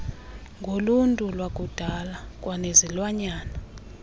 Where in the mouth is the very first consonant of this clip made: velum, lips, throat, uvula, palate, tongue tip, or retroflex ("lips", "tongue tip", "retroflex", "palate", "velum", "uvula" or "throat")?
velum